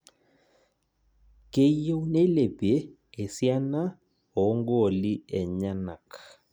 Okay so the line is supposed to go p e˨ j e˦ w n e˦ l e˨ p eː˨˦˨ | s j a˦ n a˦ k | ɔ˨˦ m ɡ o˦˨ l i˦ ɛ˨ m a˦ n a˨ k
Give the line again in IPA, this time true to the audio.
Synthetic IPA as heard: k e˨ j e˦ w n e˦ l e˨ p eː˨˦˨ | s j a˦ n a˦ | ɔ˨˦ ŋ ɡ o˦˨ l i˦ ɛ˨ ɲ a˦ n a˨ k